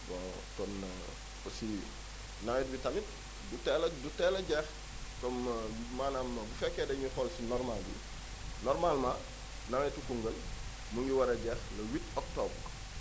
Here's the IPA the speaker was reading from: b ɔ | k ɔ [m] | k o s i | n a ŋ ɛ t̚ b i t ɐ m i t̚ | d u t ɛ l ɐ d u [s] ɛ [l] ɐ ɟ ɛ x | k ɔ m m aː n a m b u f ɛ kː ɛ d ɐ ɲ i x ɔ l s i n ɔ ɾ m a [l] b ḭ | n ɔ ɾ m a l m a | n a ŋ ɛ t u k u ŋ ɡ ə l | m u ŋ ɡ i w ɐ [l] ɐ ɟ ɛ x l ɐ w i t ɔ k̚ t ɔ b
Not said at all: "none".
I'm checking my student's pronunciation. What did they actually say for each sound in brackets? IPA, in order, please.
n, t, l, l, ɾ

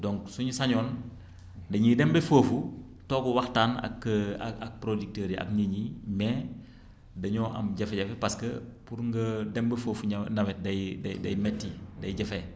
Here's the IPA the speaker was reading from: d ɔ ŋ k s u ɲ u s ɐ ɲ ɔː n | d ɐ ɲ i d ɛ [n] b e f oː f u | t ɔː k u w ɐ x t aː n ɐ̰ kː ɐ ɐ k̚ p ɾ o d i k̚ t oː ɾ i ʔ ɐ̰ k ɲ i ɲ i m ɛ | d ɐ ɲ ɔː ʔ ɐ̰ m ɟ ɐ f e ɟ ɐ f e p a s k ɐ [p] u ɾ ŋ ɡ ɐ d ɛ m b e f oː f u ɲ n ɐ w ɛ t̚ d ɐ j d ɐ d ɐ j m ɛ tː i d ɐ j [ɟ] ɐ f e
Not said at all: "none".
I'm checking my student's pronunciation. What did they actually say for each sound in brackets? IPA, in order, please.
m, p, ɟ

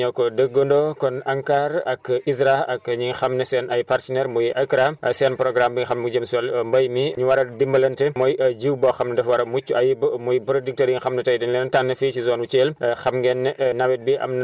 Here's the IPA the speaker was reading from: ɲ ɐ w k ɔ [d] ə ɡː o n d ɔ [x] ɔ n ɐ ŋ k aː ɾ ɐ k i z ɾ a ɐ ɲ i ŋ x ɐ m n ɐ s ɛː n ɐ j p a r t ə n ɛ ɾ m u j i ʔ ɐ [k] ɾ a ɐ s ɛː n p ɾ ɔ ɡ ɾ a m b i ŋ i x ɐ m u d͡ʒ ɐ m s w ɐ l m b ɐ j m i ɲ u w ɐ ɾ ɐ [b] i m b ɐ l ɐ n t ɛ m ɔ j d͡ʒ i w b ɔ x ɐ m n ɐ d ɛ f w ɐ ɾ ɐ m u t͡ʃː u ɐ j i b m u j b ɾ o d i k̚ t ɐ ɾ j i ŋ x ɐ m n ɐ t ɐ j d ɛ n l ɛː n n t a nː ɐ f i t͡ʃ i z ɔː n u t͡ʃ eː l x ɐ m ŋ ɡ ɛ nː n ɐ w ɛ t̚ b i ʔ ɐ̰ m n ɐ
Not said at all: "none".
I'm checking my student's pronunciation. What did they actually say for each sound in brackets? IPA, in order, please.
d, k, k, d

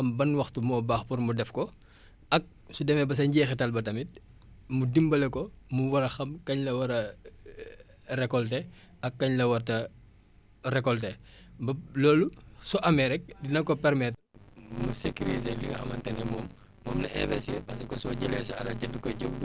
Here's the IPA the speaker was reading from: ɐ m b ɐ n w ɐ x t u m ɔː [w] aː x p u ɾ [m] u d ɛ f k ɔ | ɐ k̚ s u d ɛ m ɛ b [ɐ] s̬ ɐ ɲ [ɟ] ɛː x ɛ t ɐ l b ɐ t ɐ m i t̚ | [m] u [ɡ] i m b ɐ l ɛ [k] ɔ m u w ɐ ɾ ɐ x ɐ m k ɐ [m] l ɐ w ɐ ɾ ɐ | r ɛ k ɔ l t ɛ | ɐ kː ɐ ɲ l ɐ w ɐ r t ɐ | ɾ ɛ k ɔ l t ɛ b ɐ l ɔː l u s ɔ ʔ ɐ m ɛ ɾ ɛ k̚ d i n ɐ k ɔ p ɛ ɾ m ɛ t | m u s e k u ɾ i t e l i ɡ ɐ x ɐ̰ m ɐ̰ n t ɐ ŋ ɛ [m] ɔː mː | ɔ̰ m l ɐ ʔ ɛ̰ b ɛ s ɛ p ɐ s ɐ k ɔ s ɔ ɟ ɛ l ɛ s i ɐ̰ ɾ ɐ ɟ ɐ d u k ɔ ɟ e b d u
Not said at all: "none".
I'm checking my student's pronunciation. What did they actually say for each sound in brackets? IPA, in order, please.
b, m, ɐ, ɟ, m, d, k, ɲ, m

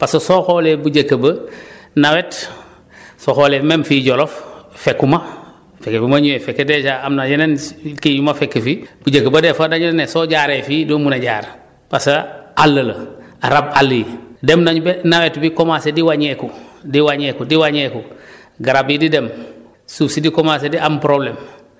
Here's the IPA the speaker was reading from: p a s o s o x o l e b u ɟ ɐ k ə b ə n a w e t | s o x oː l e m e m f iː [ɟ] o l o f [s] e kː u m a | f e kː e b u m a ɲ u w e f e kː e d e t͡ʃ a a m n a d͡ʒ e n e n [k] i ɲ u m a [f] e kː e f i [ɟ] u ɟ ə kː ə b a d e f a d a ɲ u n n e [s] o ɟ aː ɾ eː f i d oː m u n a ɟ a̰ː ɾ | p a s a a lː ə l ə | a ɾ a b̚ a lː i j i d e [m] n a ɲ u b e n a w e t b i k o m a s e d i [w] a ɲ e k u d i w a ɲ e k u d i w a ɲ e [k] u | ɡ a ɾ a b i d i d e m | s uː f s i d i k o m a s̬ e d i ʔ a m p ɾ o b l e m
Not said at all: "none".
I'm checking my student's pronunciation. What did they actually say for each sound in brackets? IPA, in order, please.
ɟ, f, k, f, b, s, m, w, k

